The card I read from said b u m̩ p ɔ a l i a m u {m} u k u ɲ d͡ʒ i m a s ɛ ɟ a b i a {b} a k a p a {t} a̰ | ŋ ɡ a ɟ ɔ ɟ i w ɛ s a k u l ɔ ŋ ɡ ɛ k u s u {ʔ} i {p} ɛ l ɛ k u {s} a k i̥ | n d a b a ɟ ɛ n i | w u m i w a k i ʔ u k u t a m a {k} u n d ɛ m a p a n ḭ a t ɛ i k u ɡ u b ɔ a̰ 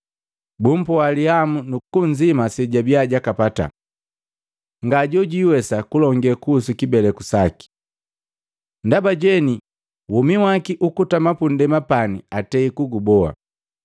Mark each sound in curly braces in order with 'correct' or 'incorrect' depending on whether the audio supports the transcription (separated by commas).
incorrect, incorrect, correct, incorrect, incorrect, correct, incorrect